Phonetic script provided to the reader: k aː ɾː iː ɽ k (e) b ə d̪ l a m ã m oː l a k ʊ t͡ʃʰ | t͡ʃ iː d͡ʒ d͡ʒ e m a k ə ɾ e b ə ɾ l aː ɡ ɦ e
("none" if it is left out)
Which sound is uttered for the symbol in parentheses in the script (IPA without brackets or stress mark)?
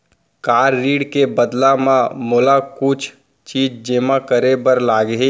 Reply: e